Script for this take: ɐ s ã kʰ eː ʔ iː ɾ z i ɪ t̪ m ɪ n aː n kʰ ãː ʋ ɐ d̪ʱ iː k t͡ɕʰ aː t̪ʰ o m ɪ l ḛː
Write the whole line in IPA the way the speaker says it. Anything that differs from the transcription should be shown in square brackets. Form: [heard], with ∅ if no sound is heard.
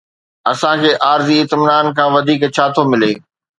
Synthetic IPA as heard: ɐ s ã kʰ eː ʔ [aː] ɾ z i ɪ t̪ m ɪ n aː n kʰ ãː ʋ ɐ d̪ʱ iː k t͡ɕʰ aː t̪ʰ o m ɪ l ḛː